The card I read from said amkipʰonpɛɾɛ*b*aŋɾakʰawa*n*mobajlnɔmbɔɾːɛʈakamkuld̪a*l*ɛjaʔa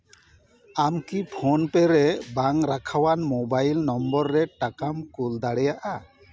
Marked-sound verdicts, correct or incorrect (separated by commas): correct, correct, incorrect